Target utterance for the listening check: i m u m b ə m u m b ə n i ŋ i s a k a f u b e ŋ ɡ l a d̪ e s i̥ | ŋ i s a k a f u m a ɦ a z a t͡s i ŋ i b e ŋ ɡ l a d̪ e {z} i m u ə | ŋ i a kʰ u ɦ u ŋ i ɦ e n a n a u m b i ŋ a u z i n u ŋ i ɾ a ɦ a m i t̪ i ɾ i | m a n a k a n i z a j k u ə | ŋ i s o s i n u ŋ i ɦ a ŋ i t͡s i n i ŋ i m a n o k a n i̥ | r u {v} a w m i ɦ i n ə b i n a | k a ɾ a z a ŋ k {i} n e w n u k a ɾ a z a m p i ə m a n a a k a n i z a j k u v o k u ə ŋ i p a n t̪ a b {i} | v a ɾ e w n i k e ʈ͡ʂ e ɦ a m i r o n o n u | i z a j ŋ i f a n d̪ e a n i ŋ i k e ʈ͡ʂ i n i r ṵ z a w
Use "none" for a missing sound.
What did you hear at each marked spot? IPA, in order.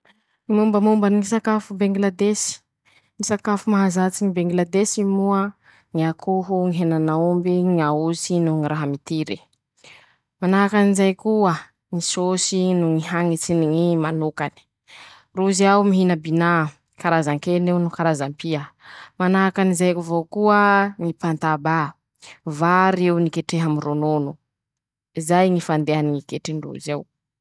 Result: s, z, e, a

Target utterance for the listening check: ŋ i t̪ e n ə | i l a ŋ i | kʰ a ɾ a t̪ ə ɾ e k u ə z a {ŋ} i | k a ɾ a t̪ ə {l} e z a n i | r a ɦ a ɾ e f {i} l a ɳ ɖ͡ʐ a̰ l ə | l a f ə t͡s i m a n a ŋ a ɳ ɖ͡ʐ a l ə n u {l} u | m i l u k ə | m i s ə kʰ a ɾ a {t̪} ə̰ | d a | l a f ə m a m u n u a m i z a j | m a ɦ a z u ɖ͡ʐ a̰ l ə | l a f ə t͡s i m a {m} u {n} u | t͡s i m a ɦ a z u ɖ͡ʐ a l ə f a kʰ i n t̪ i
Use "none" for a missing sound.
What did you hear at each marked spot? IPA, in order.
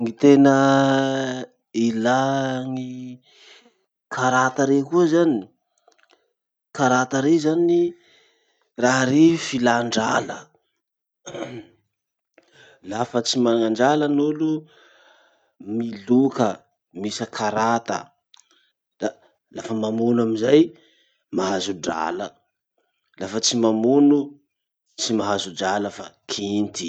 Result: n, ɾ, i, l, t̪, m, n

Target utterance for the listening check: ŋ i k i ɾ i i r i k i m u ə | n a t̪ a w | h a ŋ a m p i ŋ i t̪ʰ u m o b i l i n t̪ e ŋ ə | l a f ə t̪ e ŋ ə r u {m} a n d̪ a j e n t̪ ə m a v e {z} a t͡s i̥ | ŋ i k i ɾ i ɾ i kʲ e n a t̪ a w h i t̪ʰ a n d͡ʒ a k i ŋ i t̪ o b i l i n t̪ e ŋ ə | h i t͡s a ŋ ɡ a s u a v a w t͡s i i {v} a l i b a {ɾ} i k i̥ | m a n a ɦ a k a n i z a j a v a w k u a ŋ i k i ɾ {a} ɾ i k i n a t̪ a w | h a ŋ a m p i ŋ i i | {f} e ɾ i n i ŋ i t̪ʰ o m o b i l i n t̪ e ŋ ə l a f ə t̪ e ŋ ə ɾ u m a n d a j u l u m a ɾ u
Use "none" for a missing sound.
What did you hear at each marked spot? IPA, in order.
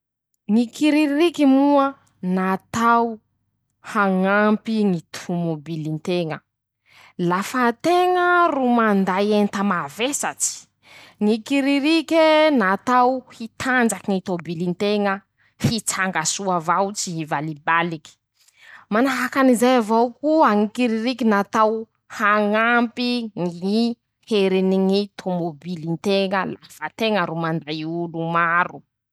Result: m, s, v, l, i, h

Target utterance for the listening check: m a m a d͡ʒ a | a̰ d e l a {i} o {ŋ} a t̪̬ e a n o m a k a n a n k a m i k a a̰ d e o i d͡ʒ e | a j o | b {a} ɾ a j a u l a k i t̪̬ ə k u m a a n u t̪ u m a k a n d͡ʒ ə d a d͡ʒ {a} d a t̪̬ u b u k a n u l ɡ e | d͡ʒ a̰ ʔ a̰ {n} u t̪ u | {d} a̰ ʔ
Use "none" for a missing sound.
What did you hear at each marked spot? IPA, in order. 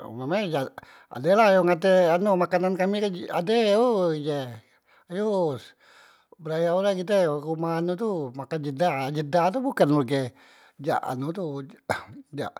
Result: j, ŋ, ə, ə, n, d͡ʒ

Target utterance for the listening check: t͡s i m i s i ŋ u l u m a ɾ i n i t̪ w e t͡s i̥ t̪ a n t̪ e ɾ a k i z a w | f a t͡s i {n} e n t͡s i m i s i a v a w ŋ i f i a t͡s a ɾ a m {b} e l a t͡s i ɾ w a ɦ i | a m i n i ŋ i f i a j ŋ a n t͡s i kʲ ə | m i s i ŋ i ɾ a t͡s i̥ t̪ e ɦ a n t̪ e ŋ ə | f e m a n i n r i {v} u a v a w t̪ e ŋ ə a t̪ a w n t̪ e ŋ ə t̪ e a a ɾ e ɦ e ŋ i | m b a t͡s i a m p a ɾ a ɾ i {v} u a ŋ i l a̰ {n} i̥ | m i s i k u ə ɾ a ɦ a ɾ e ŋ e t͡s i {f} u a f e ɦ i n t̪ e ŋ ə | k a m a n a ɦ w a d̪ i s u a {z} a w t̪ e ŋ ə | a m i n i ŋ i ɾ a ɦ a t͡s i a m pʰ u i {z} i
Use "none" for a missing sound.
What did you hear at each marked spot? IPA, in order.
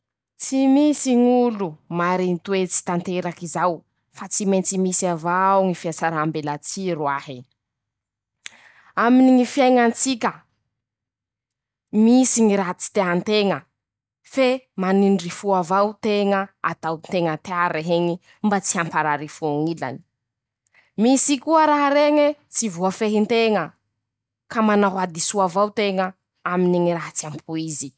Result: m, b, f, f, n, v, v, z

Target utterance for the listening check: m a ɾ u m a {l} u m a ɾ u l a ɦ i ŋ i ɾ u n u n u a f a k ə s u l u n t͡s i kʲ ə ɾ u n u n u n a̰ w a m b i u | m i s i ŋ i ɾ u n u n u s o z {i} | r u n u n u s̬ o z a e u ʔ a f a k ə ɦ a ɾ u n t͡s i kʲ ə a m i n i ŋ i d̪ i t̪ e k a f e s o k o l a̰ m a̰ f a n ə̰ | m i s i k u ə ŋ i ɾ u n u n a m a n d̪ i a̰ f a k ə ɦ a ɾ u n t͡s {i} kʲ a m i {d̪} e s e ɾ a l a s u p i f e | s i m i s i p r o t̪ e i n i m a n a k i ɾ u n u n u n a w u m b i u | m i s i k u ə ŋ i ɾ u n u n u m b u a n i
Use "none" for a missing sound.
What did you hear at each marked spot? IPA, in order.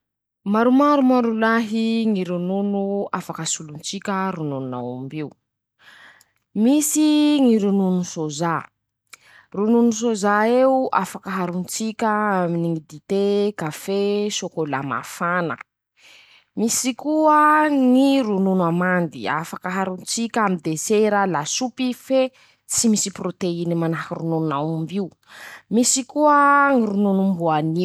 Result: ɾ, a, i, d̪

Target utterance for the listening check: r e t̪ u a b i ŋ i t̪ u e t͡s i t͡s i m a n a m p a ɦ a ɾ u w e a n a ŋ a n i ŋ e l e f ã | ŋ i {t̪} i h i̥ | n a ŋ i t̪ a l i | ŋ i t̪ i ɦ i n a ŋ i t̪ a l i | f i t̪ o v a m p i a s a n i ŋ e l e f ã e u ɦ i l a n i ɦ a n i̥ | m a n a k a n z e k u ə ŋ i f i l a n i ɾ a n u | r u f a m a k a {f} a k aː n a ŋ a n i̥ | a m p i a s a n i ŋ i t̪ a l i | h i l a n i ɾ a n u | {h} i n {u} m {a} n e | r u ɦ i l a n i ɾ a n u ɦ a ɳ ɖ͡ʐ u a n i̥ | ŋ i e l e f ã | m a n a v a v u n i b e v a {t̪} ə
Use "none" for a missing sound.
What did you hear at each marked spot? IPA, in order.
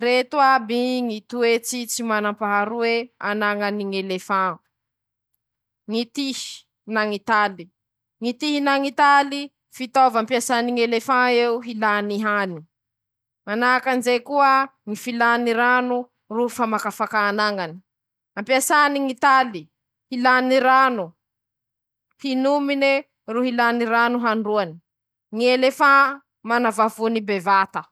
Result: t̪, f, h, u, i, t̪

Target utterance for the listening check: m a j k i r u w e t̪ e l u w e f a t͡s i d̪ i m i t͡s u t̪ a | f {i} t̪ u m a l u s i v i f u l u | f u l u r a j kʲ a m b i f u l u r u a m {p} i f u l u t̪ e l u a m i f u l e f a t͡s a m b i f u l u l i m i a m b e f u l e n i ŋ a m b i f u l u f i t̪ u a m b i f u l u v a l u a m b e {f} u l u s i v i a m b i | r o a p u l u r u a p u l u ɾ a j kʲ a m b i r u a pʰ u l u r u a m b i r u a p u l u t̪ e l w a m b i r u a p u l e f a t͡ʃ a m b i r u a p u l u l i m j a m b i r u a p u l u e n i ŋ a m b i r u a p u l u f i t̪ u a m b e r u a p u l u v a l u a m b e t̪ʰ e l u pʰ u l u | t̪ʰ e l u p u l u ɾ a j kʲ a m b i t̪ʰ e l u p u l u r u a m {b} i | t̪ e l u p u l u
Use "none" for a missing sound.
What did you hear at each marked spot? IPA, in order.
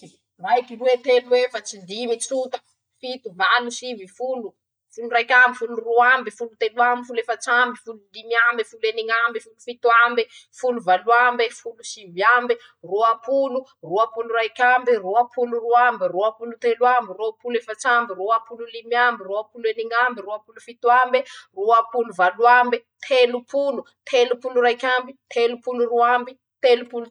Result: i, b, f, b

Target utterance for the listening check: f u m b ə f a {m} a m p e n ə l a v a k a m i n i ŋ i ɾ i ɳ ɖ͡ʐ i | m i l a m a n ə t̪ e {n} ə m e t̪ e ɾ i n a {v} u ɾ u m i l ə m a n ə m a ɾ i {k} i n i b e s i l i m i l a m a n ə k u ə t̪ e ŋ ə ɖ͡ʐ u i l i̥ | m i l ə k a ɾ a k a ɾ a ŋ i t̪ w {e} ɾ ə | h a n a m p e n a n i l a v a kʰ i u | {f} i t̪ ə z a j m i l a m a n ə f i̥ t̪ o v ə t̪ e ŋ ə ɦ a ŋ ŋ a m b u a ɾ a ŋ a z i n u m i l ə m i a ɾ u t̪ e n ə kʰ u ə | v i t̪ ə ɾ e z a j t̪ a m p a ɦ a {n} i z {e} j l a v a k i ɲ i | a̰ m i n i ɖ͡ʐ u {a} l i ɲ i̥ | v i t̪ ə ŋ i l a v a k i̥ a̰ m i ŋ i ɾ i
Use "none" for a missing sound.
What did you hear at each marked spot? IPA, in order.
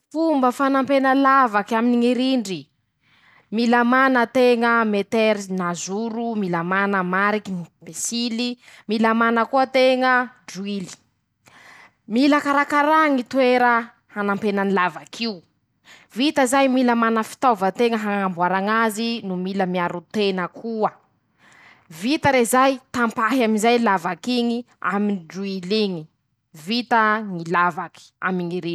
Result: n, ŋ, z, k, e, v, m, a, i

